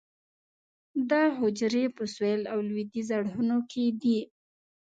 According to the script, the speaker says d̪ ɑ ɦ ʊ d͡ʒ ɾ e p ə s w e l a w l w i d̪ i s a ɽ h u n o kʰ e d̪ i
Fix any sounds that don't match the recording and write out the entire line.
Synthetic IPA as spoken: d̪ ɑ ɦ ʊ d͡ʒ ɾ e p ə s w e l a w l w i d̪ i z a ɽ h u n o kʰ e d̪ i